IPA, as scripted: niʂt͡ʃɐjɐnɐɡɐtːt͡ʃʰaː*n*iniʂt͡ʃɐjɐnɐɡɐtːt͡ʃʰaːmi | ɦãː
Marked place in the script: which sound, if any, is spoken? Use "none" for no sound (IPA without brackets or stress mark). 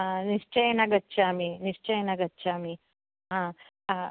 m